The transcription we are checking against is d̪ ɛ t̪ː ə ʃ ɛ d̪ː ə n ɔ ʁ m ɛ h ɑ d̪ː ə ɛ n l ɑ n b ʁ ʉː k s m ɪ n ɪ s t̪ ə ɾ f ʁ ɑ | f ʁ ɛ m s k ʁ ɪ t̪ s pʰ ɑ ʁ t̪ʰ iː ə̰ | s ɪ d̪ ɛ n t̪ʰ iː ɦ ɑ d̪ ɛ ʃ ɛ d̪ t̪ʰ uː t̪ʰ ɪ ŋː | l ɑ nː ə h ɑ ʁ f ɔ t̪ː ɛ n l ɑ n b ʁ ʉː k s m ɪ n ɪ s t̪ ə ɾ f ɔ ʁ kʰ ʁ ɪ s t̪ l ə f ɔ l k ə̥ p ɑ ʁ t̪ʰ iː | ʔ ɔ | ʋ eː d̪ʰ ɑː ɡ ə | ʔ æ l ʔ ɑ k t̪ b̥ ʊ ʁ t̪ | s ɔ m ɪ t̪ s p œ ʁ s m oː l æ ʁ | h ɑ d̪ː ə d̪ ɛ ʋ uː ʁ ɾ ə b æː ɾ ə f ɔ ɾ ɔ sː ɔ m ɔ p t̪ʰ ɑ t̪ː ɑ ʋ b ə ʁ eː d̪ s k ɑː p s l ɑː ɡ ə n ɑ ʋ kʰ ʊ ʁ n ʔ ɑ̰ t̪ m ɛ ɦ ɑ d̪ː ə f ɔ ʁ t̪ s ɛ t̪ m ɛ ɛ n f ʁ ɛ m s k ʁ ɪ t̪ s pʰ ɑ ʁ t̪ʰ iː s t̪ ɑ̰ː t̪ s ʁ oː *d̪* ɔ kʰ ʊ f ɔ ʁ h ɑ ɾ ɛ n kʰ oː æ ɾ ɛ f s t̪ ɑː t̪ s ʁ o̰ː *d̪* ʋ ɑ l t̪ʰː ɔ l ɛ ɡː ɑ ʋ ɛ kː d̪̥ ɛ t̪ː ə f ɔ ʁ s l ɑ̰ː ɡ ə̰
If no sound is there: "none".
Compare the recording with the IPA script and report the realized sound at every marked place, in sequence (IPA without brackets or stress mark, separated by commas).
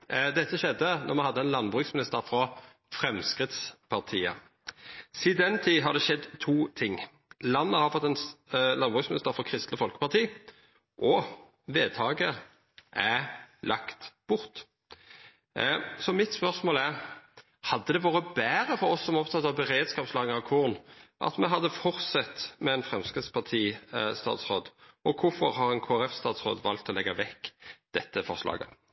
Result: d̪, d̪